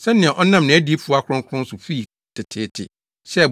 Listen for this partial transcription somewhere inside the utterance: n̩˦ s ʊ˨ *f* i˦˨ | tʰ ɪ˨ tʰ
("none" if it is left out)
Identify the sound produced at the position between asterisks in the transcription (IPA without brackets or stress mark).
f